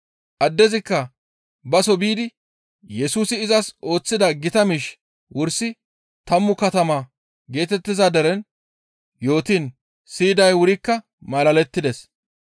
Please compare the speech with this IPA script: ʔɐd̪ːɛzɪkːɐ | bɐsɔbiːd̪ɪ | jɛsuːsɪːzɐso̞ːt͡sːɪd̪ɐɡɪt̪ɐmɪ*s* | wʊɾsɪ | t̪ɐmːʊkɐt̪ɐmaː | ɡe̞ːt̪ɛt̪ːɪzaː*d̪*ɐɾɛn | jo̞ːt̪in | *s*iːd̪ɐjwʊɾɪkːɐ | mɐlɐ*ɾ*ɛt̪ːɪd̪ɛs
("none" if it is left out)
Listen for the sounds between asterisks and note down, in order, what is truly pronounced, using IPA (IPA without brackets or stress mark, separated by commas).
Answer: ʃ, d̪, s, l